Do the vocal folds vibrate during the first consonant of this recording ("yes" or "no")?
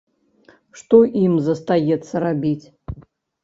no